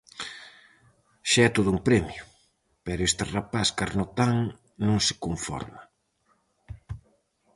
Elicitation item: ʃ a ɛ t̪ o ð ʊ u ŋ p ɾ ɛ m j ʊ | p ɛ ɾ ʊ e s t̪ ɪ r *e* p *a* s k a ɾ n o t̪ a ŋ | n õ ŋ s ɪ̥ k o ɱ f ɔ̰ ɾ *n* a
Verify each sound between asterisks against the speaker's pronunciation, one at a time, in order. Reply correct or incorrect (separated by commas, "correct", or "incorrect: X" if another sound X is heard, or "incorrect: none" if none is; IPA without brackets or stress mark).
incorrect: a, correct, incorrect: m